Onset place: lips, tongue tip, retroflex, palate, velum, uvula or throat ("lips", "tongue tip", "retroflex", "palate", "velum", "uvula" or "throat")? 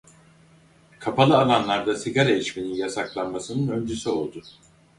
velum